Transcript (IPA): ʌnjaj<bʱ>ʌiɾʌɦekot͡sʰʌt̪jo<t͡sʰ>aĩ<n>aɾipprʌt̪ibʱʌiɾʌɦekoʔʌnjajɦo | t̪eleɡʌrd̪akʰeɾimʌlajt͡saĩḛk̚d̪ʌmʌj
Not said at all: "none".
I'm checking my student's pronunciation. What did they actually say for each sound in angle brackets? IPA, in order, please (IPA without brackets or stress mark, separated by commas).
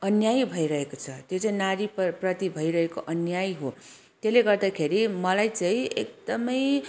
bʱ, t͡s, n